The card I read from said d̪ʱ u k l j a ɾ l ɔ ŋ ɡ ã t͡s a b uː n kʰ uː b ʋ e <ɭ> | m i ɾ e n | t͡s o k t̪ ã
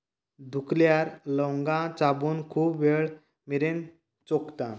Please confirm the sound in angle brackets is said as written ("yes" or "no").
yes